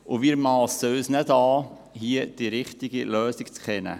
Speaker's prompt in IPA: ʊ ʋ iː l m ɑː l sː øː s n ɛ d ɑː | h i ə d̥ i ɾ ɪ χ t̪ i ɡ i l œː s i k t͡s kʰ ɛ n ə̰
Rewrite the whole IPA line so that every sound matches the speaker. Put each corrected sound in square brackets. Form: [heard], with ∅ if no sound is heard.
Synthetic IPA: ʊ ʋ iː [ɾ] m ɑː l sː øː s n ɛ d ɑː | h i ə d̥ i ɾ ɪ χ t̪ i ɡ i l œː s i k t͡s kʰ ɛ n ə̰